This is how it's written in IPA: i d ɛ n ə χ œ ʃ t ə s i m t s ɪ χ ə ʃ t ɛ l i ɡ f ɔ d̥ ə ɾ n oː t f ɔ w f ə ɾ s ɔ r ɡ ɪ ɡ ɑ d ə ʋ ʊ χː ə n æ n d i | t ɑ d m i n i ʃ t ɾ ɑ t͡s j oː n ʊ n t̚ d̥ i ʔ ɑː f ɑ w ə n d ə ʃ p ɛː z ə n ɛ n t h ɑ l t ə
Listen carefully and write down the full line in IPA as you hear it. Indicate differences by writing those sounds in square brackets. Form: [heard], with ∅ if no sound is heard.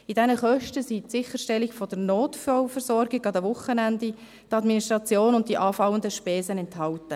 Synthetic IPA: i d ɛ n ə χ œ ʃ t ə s i [∅] t s ɪ χ ə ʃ t ɛ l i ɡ f ɔ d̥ ə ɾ n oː t f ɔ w f ə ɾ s ɔ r ɡ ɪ ɡ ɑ d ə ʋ ʊ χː ə n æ n d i | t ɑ d m i n i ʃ t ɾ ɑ t͡s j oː n ʊ n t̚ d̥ i ʔ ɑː f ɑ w ə n d ə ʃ p ɛː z ə n ɛ n t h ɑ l t ə

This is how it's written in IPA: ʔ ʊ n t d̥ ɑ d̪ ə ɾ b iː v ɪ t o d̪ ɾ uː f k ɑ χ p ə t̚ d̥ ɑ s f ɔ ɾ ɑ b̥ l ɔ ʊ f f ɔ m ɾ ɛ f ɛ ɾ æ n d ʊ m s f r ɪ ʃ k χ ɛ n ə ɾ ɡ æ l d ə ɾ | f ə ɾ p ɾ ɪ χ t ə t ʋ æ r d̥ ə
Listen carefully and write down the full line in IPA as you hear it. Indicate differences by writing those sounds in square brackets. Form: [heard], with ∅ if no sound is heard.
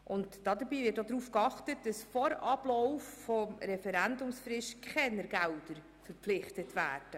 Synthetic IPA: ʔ ʊ n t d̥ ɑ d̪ ə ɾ b iː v ɪ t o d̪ ɾ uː f k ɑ χ [t] ə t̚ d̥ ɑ s f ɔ ɾ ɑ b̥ l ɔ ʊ f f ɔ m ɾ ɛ f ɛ ɾ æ n d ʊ m s f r ɪ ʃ k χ ɛ n ə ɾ ɡ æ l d ə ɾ | f ə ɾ p [l] ɪ χ t ə t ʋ [æː] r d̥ ə

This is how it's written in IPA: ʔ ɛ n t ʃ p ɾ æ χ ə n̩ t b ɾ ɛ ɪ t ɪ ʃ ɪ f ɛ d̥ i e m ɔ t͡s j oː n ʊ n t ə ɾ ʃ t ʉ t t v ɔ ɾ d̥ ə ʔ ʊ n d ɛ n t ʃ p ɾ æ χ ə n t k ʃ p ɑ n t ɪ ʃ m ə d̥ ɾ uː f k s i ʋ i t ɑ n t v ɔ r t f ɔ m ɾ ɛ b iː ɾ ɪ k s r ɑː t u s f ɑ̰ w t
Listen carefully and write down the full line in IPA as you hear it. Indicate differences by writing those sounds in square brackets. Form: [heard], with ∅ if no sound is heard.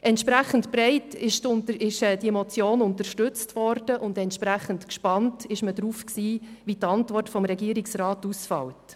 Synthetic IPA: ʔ ɛ n t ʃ p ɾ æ χ ə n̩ t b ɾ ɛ ɪ t ɪ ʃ ɪ [ʃ] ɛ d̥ i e m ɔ t͡s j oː n ʊ n t ə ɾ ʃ t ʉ [t͡s] t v ɔ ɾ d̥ ə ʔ ʊ n d ɛ n t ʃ p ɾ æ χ ə n t k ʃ p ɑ n t ɪ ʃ m ə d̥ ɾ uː f k s [iː] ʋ i t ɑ n t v ɔ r t f ɔ m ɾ ɛ [ɡ] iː ɾ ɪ k s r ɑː t u s f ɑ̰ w t

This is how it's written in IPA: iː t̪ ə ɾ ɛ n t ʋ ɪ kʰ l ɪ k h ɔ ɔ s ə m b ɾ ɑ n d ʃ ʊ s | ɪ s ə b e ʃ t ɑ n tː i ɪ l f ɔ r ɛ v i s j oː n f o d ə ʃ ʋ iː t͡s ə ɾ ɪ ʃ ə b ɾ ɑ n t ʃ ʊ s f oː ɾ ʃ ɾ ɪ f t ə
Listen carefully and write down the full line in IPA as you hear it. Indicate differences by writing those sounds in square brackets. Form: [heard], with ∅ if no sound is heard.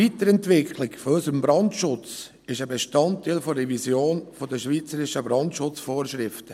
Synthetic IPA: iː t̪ ə ɾ ɛ n t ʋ ɪ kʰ l ɪ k [f] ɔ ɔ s ə m b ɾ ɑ n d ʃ ʊ [t͡s] | ɪ [ʃ] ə b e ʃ t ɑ n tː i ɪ l f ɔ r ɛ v i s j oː n f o d ə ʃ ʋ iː t͡s ə ɾ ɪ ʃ ə b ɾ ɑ n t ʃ ʊ [t͡s] f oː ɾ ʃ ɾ ɪ f t ə

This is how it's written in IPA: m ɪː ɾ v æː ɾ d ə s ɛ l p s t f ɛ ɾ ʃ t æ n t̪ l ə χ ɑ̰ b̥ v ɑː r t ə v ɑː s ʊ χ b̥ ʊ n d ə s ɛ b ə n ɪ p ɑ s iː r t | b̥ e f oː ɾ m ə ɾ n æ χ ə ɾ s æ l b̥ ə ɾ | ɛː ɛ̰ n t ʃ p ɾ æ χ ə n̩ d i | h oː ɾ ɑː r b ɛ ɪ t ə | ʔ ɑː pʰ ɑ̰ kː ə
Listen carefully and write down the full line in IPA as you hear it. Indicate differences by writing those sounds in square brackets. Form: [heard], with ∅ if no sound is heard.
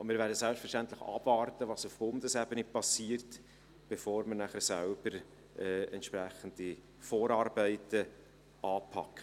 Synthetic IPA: m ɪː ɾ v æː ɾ d ə s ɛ l p s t f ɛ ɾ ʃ t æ n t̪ l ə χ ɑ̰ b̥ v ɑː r t ə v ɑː s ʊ [f] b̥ ʊ n d ə s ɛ b ə n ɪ p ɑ s iː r t | b̥ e f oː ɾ m ə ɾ n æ χ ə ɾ s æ l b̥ ə ɾ | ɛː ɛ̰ n t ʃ p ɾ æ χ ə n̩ d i | [f] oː ɾ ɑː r b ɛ ɪ t ə | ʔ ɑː pʰ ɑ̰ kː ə

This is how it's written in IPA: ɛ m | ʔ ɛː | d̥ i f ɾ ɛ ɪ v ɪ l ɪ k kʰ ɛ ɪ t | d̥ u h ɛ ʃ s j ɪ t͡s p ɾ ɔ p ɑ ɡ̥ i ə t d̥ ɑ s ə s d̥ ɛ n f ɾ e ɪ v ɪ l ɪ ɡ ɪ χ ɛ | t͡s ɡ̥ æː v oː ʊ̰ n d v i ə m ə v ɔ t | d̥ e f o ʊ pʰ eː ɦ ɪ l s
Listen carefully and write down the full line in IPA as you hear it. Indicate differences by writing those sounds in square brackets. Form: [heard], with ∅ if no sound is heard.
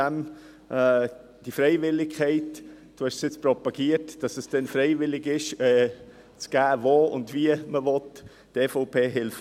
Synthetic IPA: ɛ m | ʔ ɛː | d̥ i f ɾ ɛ ɪ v ɪ l ɪ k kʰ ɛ ɪ t | d̥ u h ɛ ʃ s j ɪ t͡s p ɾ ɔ p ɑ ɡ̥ i ə t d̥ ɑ s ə s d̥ ɛ n f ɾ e ɪ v ɪ l ɪ ɡ ɪ [ʃ] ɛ | t͡s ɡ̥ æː v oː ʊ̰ n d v i ə m ə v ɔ t | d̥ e f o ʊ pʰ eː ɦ ɪ l [f]

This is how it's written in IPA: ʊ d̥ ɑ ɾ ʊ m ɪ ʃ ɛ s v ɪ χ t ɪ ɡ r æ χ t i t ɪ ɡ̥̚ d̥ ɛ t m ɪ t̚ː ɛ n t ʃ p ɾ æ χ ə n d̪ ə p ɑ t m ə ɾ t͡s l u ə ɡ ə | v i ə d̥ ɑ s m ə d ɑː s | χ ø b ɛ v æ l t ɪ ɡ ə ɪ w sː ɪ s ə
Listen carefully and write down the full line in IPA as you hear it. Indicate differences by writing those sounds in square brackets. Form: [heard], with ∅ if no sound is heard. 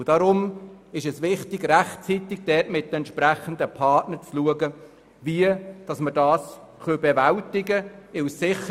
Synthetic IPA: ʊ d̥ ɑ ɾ ʊ m ɪ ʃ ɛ s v ɪ χ t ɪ ɡ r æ χ [t͡s] i t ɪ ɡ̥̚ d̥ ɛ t m ɪ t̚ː ɛ n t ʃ p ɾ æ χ ə n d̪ ə [pʰ] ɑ t [n] ə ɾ t͡s l u ə ɡ ə | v i ə d̥ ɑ s m ə d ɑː s | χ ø b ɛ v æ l t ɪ ɡ ə ɪ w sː ɪ [χ] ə

